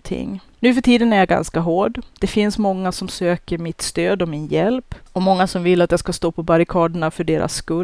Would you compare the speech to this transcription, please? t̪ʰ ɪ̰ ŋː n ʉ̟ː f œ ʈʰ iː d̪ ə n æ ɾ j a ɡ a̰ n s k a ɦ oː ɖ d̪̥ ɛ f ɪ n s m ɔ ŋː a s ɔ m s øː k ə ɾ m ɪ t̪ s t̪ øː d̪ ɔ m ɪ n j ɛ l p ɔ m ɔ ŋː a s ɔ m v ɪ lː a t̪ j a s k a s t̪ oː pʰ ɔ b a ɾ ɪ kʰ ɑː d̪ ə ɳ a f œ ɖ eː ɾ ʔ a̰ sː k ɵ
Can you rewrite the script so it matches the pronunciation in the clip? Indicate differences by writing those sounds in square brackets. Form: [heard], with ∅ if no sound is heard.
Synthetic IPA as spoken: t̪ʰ ɪ̰ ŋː n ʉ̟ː f œ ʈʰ iː d̪ ə n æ ɾ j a ɡ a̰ n s k a ɦ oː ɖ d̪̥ ɛ f ɪ n s m ɔ ŋː a s ɔ m s øː k ə ɾ m ɪ t̪ s t̪ øː d̪ ɔ m ɪ n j ɛ l p ɔ m ɔ ŋː a s ɔ m v ɪ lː a t̪ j a s k a s t̪ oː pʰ ɔ b a ɾ ɪ kʰ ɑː d̪ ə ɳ a f œ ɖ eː ɾ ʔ a̰ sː k ɵ